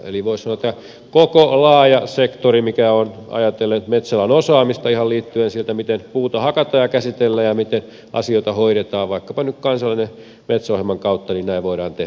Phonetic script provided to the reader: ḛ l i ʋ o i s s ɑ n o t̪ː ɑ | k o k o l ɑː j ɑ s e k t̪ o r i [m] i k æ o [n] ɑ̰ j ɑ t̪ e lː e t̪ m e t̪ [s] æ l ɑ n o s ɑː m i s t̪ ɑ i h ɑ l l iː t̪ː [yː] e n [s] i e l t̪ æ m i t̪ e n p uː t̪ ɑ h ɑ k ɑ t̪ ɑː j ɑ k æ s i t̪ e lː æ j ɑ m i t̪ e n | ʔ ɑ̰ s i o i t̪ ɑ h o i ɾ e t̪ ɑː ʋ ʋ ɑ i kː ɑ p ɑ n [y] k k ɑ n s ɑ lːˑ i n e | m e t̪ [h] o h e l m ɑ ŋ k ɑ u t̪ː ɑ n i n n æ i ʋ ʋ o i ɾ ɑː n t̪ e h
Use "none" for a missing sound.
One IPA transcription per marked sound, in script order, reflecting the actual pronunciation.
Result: m, n, s, y, s, y, s

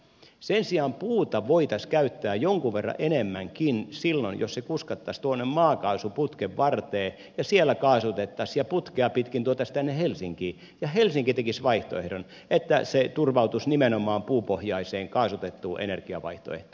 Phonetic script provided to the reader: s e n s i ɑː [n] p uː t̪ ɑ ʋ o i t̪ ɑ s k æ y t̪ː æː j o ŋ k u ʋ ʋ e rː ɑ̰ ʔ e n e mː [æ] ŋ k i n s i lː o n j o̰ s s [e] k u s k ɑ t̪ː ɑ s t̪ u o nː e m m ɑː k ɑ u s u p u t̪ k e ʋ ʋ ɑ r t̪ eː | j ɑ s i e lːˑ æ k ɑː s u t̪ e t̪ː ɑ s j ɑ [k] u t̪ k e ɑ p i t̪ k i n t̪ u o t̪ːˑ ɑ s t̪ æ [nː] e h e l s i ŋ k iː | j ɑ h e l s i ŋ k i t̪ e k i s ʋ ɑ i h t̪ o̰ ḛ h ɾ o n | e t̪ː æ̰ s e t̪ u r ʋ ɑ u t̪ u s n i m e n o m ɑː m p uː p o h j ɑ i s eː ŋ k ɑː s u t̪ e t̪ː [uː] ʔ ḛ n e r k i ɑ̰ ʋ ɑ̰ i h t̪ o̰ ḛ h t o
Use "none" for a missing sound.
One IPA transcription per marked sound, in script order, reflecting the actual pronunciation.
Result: m, æ, e, p, nː, uː

